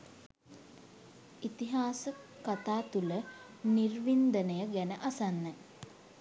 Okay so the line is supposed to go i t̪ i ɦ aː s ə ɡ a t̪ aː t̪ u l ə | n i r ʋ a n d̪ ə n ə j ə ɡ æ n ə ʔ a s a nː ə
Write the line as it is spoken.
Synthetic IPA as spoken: i t̪ i ɦ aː s ə k a t̪ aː t̪ u l ə | n i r ʋ i n d̪ ə n ə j ə ɡ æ n ə ʔ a s a nː ə